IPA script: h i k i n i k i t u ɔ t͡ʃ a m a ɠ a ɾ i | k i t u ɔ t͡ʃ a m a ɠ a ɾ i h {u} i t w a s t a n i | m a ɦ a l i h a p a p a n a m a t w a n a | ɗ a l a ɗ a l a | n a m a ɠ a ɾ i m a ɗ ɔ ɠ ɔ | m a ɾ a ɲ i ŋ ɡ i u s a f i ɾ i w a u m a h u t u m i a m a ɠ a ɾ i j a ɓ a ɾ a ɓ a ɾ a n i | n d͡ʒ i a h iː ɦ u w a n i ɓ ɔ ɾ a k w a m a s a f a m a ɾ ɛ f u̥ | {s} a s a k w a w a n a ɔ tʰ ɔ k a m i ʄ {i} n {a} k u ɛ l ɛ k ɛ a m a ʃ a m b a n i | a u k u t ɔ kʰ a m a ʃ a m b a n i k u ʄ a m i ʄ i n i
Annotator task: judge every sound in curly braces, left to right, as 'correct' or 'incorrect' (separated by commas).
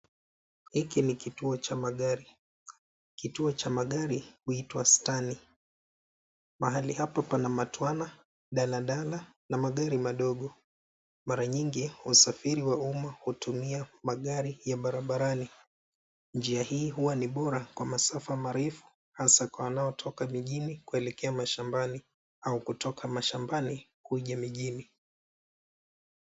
correct, incorrect, correct, incorrect